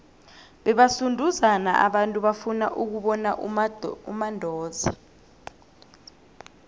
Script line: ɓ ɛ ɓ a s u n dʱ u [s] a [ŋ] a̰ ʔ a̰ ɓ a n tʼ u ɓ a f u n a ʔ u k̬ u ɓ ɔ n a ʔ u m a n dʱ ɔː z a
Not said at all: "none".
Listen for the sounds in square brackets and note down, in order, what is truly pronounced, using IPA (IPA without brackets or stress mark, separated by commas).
z, n